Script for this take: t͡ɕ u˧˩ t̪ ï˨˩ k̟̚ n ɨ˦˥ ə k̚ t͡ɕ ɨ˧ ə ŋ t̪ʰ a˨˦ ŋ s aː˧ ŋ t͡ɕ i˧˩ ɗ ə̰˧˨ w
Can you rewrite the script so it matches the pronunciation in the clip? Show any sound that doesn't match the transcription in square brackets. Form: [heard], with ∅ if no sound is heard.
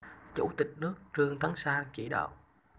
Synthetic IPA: t͡ɕ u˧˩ t̪ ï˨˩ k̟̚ n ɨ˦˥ ə k̚ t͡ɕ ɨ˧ ə ŋ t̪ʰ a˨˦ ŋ s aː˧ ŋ t͡ɕ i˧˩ ɗ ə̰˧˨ w